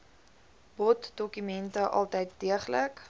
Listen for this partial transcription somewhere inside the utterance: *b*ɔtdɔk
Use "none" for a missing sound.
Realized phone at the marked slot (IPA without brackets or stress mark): b